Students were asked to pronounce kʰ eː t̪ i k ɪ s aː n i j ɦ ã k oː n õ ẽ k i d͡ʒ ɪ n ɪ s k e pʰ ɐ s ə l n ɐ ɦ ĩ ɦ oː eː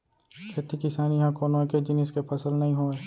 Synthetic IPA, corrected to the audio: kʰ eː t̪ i k ɪ s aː n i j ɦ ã k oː n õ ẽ k e d͡ʒ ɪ n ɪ s k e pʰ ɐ s ə l n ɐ ɦ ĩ ɦ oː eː